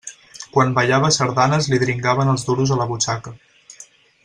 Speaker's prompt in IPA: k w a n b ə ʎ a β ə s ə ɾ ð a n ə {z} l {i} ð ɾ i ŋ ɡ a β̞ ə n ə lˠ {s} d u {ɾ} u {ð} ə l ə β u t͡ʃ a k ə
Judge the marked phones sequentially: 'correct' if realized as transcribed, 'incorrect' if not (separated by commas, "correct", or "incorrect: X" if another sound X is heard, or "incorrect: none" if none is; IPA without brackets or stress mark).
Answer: correct, correct, incorrect: z, correct, incorrect: z